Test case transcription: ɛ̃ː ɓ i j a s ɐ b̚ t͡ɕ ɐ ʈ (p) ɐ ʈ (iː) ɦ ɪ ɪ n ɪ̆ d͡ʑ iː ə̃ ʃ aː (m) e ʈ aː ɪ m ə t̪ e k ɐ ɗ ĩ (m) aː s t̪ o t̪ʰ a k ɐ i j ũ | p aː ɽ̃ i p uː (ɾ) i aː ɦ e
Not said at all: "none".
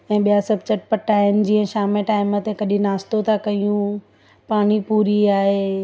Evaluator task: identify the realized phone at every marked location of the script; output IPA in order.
p, aː, m, n, ɾ

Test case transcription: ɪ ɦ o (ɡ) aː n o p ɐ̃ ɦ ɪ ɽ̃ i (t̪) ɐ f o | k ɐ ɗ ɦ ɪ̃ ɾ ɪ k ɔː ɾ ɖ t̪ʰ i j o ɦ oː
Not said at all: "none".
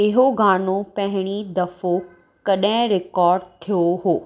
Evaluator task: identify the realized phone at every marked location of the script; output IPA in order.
ɡ, d̪

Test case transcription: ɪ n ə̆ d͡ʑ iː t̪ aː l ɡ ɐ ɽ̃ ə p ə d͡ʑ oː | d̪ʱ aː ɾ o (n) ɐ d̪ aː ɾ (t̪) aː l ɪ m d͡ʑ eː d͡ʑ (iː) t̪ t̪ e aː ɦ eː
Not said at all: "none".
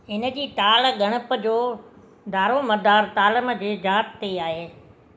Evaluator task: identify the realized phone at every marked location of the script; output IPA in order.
m, t̪, aː

